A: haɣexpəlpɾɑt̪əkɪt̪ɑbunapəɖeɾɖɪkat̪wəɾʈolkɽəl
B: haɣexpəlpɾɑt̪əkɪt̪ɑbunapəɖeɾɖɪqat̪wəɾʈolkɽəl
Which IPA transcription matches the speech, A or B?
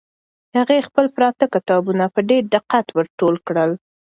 B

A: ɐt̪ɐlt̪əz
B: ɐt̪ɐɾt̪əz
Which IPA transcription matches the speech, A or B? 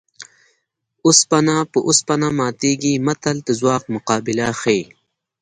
A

